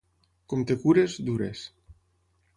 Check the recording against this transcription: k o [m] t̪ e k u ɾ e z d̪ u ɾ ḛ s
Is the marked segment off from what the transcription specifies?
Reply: no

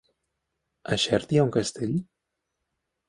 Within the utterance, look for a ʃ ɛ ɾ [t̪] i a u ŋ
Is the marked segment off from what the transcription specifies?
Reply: no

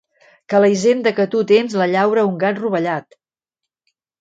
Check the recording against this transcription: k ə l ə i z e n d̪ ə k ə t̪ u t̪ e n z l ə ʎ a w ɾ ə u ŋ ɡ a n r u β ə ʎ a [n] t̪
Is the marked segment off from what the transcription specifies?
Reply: yes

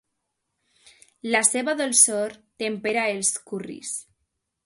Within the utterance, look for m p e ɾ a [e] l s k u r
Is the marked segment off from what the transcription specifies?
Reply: no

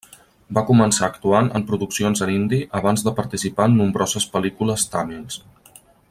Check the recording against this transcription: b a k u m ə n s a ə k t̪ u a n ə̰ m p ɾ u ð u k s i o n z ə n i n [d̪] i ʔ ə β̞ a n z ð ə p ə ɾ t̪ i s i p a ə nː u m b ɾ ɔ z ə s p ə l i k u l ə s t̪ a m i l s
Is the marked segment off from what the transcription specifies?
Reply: no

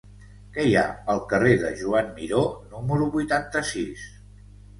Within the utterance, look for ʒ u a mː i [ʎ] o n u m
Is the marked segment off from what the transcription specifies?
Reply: yes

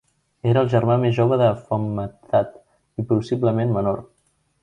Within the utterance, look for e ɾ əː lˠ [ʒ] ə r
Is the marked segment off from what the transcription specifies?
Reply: no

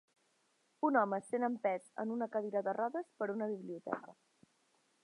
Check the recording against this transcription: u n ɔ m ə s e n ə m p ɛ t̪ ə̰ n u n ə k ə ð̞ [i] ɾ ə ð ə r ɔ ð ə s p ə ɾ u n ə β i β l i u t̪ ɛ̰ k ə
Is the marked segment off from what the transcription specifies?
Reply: no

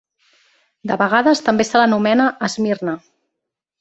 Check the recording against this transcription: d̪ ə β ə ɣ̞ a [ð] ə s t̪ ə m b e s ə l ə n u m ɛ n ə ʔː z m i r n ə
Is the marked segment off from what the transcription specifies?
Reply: no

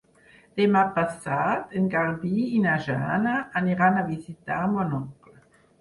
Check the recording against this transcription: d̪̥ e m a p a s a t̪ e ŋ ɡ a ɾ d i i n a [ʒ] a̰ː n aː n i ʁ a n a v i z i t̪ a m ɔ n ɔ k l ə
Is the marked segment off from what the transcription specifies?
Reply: no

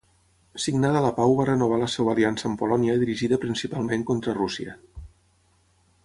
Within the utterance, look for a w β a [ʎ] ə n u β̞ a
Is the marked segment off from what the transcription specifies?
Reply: yes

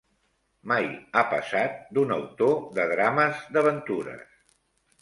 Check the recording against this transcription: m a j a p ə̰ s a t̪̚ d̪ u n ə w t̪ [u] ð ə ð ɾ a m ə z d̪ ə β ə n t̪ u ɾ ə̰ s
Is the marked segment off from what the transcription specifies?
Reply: yes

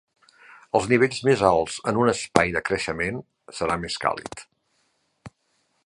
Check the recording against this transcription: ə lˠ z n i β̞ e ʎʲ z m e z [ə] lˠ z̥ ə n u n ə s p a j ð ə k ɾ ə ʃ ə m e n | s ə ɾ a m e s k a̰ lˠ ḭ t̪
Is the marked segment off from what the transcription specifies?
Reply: yes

